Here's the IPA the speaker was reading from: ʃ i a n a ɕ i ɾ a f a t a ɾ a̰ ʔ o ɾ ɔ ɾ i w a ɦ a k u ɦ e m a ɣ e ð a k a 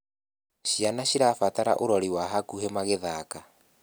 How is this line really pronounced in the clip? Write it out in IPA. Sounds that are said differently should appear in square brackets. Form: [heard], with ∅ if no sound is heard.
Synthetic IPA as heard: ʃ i a n a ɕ i ɾ a f a t a ɾ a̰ ʔ o ɾ ɔ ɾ i w a ɦ a k u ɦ e m a ɣ e ð a k a